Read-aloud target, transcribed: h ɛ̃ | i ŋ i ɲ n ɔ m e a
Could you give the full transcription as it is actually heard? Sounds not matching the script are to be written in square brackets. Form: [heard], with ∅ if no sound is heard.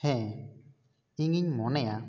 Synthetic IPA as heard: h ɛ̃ | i ŋ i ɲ [m] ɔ [n] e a